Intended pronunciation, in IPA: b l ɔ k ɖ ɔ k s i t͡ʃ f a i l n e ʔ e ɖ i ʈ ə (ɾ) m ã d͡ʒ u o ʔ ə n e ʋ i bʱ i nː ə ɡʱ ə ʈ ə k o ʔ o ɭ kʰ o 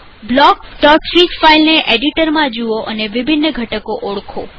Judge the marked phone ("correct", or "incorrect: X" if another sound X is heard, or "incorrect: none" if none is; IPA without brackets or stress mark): correct